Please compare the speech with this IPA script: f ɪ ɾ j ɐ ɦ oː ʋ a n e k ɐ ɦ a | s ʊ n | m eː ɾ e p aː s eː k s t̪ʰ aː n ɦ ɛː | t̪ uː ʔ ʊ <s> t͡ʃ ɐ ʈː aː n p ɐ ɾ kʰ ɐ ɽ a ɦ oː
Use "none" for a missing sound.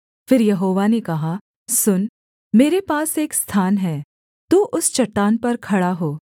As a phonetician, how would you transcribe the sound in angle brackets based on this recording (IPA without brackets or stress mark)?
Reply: s